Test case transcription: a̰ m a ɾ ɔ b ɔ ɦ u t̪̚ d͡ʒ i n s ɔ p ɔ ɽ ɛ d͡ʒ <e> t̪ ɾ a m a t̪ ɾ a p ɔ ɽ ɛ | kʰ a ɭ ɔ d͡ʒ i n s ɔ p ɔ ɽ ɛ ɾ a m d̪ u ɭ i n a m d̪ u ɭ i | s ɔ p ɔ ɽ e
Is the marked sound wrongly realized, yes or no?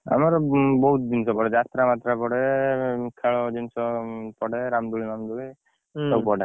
yes